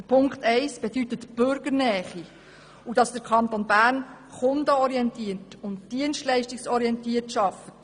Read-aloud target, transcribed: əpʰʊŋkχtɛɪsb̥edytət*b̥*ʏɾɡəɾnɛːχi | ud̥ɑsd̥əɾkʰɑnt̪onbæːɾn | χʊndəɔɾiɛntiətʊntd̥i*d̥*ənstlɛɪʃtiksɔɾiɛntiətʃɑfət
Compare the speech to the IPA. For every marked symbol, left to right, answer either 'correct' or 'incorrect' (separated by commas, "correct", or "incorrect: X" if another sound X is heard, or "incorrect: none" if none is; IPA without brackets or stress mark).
correct, incorrect: none